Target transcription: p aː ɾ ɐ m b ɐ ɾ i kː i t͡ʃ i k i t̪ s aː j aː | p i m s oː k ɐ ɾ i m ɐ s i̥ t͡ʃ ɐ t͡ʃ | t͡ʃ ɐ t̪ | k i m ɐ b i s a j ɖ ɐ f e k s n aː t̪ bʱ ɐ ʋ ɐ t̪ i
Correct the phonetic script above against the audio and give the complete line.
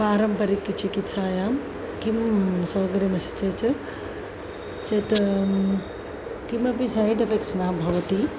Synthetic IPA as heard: p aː ɾ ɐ m p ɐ ɾ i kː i t͡ʃ i k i t̪ s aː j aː | k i m s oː ɡ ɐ ɾ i m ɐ s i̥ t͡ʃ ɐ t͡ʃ | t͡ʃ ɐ t̪ | k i m ɐ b i s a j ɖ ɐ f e k s n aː bʱ ɐ ʋ ɐ t̪ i